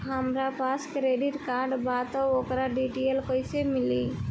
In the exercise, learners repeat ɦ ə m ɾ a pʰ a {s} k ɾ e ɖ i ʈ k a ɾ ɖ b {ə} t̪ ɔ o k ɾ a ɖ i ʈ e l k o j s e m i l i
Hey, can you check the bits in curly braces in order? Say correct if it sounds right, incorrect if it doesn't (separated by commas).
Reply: correct, incorrect